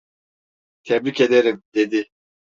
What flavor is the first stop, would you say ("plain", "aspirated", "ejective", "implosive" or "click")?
aspirated